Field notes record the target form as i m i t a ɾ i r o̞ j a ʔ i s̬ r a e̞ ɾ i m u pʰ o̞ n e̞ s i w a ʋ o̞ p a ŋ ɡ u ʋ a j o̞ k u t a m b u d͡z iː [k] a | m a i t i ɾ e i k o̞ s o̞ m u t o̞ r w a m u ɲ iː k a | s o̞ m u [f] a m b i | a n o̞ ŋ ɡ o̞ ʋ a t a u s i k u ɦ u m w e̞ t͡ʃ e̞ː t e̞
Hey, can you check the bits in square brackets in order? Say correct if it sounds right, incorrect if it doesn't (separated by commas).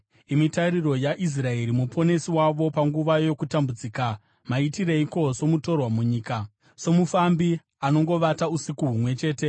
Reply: correct, correct